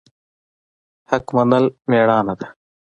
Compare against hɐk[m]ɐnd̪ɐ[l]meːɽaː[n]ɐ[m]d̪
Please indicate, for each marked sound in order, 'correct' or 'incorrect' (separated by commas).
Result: correct, correct, correct, incorrect